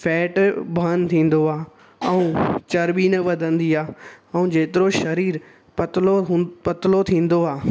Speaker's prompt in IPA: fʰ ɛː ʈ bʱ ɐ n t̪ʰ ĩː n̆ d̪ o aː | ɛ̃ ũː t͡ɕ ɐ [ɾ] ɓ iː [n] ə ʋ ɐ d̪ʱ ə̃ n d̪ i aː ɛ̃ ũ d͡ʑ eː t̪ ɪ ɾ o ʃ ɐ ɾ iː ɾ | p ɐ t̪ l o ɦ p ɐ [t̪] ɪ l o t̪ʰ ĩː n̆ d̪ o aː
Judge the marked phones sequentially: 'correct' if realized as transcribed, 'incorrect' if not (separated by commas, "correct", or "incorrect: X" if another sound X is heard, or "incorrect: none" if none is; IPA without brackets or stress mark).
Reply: correct, correct, correct